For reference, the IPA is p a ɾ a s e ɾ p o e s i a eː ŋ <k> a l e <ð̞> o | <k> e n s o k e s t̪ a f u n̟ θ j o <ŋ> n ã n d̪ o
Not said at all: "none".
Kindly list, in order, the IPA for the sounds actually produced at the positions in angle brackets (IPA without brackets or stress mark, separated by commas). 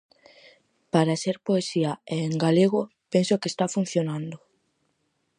ɡ, ɣ̞, p, none